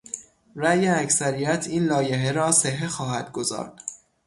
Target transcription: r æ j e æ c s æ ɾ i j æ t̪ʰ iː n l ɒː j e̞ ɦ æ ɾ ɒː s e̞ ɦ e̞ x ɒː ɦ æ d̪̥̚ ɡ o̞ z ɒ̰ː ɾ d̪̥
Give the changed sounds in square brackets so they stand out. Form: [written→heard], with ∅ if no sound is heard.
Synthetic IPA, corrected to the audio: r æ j e æ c s æ ɾ i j æ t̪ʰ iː n l ɒː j e̞ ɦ [æ→e] ɾ ɒː s e̞ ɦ e̞ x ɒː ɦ æ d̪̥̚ ɡ o̞ z ɒ̰ː ɾ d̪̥